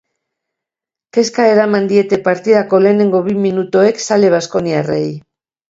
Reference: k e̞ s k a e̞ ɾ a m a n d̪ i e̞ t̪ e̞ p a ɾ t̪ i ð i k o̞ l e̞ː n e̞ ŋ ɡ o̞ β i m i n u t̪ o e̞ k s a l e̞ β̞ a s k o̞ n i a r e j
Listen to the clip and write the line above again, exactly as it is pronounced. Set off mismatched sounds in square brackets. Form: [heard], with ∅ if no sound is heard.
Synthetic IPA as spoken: k e̞ s k a e̞ ɾ a m a n d̪ i e̞ t̪ e̞ p a ɾ t̪ i ð [a] k o̞ l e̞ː n e̞ ŋ ɡ o̞ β i m i n u t̪ o e̞ k s a l e̞ β̞ a s k o̞ n i a r e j